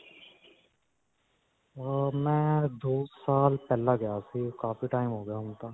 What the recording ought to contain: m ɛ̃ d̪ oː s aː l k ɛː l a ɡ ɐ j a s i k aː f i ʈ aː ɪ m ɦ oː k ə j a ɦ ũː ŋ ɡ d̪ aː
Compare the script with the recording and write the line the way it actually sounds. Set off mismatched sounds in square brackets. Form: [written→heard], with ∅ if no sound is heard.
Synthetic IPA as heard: m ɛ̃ d̪ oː s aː l [k→p] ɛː l a ɡ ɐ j a s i k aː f i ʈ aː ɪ m ɦ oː [k→ɡ] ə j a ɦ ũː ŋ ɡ [d̪→t̪] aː